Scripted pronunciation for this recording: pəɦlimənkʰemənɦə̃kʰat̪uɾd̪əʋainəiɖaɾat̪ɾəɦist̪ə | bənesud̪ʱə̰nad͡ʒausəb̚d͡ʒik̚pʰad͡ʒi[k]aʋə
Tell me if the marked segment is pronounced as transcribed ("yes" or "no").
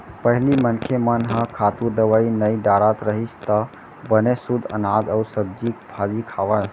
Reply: no